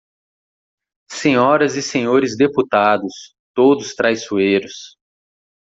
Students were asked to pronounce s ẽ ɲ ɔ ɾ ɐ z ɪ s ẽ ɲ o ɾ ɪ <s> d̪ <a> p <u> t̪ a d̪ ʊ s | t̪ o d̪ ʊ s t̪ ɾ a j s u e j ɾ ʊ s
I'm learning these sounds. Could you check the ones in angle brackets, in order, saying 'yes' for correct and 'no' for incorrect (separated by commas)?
no, no, yes